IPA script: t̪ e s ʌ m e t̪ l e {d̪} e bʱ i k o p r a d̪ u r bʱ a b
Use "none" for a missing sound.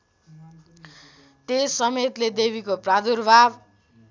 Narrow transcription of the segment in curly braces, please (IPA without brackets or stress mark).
d̪